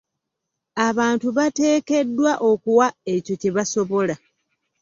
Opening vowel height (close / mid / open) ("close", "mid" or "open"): open